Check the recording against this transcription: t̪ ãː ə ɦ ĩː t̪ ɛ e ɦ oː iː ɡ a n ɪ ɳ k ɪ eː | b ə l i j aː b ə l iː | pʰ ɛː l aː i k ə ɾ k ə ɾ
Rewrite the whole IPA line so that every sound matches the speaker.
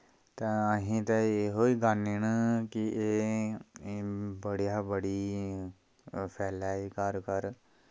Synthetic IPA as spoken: t̪ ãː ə ɦ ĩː t̪ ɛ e ɦ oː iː ɡ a n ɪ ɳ k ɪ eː | b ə ɽ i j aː b ə ɽ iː | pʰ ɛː l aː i k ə ɾ k ə ɾ